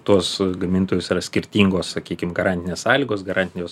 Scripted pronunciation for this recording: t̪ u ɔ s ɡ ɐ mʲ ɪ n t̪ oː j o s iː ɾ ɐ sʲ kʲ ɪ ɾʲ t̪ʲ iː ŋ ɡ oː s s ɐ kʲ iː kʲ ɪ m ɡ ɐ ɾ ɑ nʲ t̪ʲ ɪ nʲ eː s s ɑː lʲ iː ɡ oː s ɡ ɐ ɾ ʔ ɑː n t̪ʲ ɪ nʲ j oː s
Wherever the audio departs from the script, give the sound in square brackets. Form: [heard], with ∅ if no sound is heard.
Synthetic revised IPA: t̪ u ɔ s ɡ ɐ mʲ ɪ n t̪ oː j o s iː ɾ ɐ sʲ kʲ ɪ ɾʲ t̪ʲ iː ŋ ɡ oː s s ɐ kʲ iː kʲ ɪ m ɡ ɐ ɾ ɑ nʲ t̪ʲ ɪ nʲ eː s s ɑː lʲ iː ɡ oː s ɡ ɐ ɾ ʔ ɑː n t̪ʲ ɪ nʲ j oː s